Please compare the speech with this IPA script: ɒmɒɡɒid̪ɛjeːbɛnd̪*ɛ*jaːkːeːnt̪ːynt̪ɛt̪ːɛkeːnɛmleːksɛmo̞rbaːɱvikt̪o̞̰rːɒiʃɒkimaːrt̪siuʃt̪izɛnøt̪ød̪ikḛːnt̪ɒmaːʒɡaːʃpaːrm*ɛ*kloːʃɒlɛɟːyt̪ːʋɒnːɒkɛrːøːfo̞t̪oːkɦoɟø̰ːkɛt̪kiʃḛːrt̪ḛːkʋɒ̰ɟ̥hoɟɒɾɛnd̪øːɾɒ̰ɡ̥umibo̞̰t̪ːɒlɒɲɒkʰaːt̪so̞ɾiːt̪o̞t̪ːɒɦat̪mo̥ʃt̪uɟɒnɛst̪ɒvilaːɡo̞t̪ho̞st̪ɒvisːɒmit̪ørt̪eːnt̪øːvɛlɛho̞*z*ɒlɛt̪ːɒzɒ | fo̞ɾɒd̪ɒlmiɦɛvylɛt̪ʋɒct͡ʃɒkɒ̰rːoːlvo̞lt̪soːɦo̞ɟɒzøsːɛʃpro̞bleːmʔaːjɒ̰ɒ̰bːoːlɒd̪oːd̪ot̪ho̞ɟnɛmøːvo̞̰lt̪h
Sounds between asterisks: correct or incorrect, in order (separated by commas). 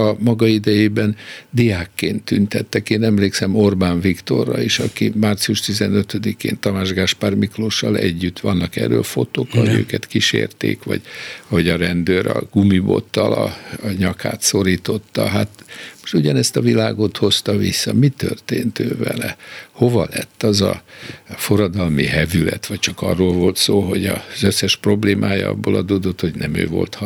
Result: incorrect, incorrect, incorrect